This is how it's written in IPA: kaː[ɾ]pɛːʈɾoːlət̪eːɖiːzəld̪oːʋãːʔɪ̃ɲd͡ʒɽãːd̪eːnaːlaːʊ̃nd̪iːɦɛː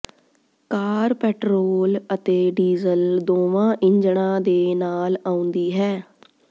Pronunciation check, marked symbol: correct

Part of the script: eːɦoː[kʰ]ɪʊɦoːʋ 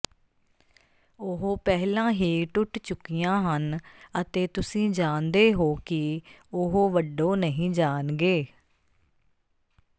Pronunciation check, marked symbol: incorrect: k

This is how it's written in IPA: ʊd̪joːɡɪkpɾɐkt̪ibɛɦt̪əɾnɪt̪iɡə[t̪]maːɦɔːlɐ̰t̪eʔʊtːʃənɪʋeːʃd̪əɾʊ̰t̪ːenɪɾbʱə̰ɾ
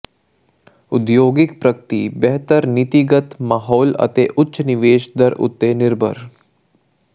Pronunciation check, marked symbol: correct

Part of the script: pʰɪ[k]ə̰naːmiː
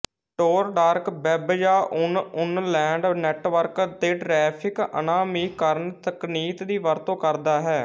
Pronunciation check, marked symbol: correct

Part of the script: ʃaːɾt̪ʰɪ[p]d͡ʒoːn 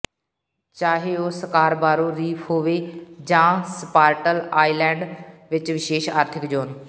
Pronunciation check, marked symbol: incorrect: k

